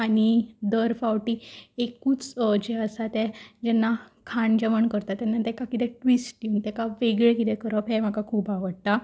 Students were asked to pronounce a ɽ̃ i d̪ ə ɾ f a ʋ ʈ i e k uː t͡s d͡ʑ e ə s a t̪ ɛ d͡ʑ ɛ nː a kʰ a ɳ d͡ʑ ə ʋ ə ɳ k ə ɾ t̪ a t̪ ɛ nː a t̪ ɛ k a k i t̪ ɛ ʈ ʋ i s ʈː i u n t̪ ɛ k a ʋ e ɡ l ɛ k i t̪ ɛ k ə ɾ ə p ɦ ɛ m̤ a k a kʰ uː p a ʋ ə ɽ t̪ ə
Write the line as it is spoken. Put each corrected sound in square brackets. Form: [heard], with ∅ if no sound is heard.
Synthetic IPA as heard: a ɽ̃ i d̪ ə ɾ f a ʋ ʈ i e k uː t͡s d͡ʑ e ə s a t̪ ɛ d͡ʑ ɛ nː a kʰ a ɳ d͡ʑ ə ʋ ə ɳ k ə ɾ t̪ a t̪ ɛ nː a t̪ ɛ k a k i t̪ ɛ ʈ ʋ i s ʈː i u n t̪ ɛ k a ʋ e ɡ [ɭ] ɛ k i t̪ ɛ k ə ɾ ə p ɦ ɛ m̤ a k a kʰ uː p a ʋ ə ɽ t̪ [a]